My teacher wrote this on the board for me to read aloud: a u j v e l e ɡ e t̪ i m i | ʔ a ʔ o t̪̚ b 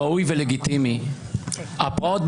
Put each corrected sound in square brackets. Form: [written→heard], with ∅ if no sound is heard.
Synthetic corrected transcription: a u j v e l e ɡ [e→i] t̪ i m i | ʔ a [ʔ→p] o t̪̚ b